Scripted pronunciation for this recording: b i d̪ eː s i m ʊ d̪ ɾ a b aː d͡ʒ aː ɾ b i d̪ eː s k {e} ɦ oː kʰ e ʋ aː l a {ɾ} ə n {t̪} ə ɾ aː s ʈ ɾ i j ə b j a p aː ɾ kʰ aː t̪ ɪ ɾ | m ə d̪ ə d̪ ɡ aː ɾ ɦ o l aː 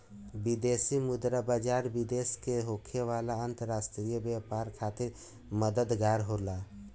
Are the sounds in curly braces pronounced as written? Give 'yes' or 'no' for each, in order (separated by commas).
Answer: yes, no, yes